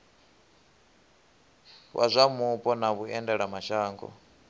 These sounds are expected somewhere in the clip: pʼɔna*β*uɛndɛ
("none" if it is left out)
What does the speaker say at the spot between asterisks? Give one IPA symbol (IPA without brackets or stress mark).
β